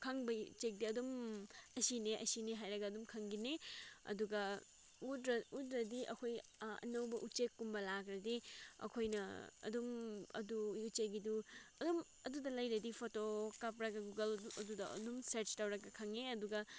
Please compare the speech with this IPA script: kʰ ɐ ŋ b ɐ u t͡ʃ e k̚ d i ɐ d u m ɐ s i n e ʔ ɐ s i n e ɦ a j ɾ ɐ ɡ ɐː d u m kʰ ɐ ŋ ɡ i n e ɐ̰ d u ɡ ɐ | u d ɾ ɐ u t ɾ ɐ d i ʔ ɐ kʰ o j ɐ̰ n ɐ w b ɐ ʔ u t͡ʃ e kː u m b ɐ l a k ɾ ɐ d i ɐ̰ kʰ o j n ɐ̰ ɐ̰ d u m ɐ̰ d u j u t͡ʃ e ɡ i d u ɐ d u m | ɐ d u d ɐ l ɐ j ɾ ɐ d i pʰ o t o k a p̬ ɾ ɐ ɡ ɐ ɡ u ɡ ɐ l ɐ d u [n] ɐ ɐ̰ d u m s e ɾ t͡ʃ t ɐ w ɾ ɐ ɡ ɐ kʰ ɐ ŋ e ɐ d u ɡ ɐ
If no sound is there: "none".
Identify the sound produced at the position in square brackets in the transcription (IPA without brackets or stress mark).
d